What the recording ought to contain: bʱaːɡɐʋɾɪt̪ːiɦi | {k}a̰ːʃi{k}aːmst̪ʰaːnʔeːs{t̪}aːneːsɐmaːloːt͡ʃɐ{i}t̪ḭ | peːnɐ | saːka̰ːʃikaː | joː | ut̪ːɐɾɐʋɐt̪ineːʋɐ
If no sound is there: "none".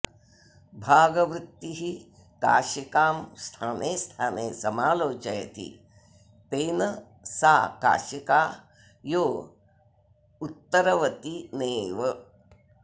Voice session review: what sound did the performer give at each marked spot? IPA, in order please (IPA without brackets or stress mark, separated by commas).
k, k, t̪ʰ, j